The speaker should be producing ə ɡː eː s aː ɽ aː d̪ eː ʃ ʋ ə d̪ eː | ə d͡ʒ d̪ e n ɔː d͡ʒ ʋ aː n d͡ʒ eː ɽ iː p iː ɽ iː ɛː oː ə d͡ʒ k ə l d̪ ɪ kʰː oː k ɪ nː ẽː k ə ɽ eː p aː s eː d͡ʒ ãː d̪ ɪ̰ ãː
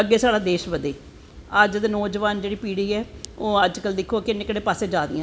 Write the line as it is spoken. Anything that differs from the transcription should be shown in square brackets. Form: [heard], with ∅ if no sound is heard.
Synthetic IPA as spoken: ə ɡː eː s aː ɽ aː d̪ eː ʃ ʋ ə d̪ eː | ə d͡ʒ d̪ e n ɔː d͡ʒ ʋ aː n d͡ʒ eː ɽ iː p iː ɽ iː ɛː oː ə d͡ʒ k ə l d̪ ɪ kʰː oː k ɪ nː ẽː k ə ɽ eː p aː s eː d͡ʒ [aː] d̪ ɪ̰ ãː